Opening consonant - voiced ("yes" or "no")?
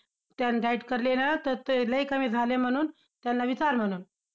no